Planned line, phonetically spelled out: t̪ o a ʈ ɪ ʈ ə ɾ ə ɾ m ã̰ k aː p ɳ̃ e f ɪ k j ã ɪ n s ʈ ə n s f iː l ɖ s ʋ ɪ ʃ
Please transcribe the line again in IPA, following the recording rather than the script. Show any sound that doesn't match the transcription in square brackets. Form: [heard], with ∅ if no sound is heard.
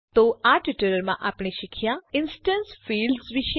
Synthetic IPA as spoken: t̪ o a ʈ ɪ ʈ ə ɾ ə ɾ m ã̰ [ʔ] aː p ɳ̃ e [ʃ] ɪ [kʰ] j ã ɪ n s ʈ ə n s f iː l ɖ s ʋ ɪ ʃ